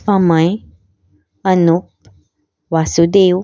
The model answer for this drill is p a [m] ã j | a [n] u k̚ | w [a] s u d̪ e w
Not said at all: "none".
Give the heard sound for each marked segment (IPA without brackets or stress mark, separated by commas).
m, n, a